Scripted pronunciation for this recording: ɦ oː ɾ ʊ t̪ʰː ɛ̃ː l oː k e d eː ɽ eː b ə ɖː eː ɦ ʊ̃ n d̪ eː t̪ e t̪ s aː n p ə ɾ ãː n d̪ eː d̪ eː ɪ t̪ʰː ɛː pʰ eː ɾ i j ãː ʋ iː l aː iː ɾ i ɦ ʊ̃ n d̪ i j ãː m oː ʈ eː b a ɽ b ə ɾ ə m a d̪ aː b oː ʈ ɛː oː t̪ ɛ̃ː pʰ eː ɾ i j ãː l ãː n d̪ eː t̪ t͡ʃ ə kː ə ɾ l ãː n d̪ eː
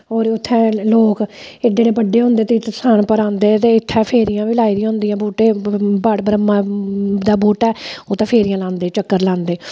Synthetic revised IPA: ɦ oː ɾ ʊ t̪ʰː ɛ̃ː l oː k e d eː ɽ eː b ə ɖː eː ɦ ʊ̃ n d̪ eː t̪ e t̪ s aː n p ə ɾ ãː n d̪ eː t̪ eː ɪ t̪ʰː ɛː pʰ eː ɾ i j ãː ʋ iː l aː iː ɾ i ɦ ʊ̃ n d̪ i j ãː b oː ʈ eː b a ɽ b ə ɾ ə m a d̪ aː b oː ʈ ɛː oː t̪ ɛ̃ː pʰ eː ɾ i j ãː l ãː n d̪ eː t͡ʃ ə kː ə ɾ l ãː n d̪ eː